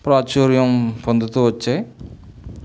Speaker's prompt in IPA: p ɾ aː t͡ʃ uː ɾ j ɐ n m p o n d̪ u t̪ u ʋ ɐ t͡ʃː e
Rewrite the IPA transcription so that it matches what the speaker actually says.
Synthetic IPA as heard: p ɾ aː t͡ʃ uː ɾ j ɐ m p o n d̪ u t̪ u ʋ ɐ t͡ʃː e